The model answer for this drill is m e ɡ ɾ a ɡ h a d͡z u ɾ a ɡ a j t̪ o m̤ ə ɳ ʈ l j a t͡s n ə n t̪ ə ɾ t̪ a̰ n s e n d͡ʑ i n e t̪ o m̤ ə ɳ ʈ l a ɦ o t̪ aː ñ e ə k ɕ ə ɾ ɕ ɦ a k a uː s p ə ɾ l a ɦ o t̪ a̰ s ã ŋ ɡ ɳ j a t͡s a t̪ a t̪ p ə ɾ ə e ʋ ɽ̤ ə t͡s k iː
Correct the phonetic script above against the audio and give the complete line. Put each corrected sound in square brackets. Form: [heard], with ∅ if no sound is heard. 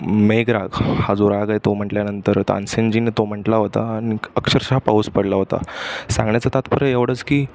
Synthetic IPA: m e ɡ ɾ a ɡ h a d͡z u ɾ a ɡ a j t̪ o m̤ ə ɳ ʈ l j a [∅] n ə n t̪ ə ɾ t̪ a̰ n s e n d͡ʑ i n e t̪ o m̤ ə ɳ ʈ l a ɦ o t̪ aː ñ [i] ə k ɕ ə ɾ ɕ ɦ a [p] a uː s p ə [ɽ] l a ɦ o t̪ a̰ s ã ŋ ɡ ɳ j a t͡s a t̪ a t̪ p ə ɾ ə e ʋ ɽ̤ ə t͡s k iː

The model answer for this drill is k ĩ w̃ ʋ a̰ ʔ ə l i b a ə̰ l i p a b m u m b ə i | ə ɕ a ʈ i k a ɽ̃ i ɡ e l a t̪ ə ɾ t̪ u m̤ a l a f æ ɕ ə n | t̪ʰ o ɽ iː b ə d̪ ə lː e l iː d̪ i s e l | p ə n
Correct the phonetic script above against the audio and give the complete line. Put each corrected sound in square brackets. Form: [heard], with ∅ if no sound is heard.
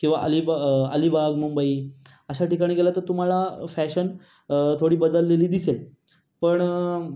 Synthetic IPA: k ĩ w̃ ʋ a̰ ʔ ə l i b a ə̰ l i [b] a [ɡ] m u m b ə i | ə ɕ a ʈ i k a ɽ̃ i ɡ e l a t̪ ə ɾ t̪ u m̤ a l a f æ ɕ ə n | t̪ʰ o ɽ iː b ə d̪ ə lː e l iː d̪ i s e l | p ə [ɳ]

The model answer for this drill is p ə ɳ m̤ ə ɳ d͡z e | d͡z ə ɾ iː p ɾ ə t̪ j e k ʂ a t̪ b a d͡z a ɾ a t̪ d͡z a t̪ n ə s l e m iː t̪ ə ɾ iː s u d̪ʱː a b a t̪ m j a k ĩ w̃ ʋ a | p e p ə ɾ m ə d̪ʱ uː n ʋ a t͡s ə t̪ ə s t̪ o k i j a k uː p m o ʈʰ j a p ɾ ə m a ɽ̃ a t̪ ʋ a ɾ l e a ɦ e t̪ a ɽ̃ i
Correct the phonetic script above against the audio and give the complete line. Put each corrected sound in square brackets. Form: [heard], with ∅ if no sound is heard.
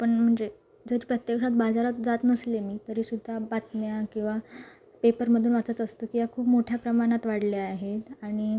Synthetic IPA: p ə ɳ m̤ ə ɳ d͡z e | d͡z ə ɾ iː p ɾ ə t̪ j e k ʂ a t̪ b a d͡z a ɾ a t̪ d͡z a t̪ n ə s l e m iː t̪ ə ɾ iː s u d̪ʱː a b a t̪ m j a k ĩ w̃ ʋ a | p e p ə ɾ m ə d̪ʱ uː n ʋ a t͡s ə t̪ ə s t̪ o k i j a [kʰ] uː p m o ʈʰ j a p ɾ ə m a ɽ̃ a t̪ ʋ a [ɽ] l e a ɦ e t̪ a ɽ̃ i

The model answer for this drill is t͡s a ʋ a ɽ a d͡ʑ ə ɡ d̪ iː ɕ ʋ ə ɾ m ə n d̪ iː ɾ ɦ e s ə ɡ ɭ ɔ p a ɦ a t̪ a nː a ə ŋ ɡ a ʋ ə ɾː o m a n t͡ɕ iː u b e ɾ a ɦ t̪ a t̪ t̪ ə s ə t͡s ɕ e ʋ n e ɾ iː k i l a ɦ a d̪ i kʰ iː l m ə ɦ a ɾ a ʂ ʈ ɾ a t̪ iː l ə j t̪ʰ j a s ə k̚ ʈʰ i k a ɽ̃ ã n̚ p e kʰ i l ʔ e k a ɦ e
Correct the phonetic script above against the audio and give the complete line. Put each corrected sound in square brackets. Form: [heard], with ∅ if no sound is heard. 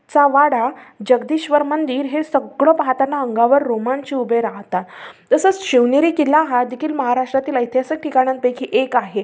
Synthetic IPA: t͡s a ʋ a ɽ a d͡ʑ ə ɡ d̪ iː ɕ ʋ ə ɾ m ə n d̪ iː ɾ ɦ e s ə ɡ ɭ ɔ p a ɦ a t̪ a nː a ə ŋ ɡ a ʋ ə ɾː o m a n t͡ɕ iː u b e ɾ a ɦ t̪ a t̪ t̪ ə s ə t͡s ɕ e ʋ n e ɾ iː k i l a ɦ a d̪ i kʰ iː l m ə ɦ a ɾ a ʂ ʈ ɾ a t̪ iː l ə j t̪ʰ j a s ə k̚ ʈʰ i k a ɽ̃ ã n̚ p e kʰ i [∅] ʔ e k a ɦ e

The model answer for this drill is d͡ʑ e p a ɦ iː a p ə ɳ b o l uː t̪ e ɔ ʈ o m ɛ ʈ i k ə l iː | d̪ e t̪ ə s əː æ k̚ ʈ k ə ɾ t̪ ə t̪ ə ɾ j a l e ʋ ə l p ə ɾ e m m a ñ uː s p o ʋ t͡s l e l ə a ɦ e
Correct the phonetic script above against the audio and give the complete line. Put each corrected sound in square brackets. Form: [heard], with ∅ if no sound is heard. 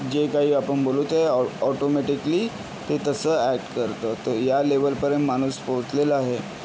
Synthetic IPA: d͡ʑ e [k] a ɦ iː a p ə ɳ b o l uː t̪ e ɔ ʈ o m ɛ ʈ i k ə l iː | [t̪] e t̪ ə s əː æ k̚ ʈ k ə ɾ t̪ ə t̪ ə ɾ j a l e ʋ ə l p ə ɾ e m m a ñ uː s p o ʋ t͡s l e l ə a ɦ e

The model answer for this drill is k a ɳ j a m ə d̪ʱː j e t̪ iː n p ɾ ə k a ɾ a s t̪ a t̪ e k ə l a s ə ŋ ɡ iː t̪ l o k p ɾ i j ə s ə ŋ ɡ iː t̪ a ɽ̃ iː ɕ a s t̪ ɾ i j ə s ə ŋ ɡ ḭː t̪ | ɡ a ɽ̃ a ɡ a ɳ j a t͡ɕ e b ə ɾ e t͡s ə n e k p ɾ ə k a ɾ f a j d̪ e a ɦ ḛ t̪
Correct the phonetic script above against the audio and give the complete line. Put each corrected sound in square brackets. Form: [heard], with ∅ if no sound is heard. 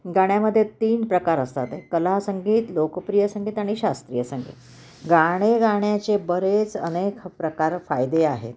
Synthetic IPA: [ɡ] a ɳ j a m ə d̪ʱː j e t̪ iː n p ɾ ə k a ɾ [ə] s t̪ a t̪ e k ə l a s ə ŋ ɡ iː t̪ l o k p ɾ i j ə s ə ŋ ɡ iː t̪ a ɽ̃ [i] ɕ a s t̪ ɾ i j ə s ə ŋ ɡ ḭː t̪ | ɡ a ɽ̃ [e] ɡ a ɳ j a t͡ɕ e b ə ɾ e t͡s ə n e k p ɾ ə k a ɾ f a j d̪ e a ɦ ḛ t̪

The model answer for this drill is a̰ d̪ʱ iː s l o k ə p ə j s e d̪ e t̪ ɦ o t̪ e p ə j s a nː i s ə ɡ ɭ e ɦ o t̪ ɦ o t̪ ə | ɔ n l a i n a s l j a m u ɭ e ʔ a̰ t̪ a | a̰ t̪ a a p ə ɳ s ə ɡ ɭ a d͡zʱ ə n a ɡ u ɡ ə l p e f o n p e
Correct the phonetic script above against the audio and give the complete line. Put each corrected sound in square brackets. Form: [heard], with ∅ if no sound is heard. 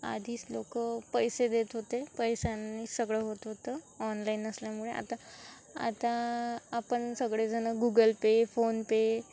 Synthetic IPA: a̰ d̪ʱ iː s l o k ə p ə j s e d̪ e t̪ ɦ o t̪ e p ə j s a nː i s ə ɡ ɭ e ɦ o t̪ ɦ o t̪ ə | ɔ n l a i n [ə] s l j a m u ɭ e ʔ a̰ t̪ a | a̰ t̪ a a p ə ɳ s ə ɡ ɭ [e] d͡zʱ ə n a ɡ u ɡ ə l p e f o n p e

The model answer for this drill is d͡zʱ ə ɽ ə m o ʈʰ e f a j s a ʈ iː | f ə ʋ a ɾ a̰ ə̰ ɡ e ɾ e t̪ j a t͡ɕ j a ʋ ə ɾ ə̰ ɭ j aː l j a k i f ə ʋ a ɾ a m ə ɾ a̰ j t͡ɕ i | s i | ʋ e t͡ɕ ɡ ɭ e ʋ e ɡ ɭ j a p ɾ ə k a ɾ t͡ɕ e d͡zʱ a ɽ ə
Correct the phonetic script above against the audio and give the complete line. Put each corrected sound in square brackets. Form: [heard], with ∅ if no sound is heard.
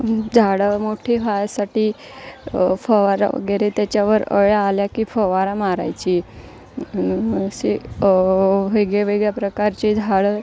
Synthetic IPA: d͡zʱ [a] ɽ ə m o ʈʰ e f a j s a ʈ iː | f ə ʋ a ɾ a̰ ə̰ ɡ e ɾ e t̪ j a t͡ɕ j a ʋ ə ɾ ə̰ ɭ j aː l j a k i f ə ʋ a ɾ a m [a] ɾ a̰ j t͡ɕ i | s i | ʋ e [∅] ɡ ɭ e ʋ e ɡ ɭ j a p ɾ ə k a ɾ t͡ɕ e d͡zʱ a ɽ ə

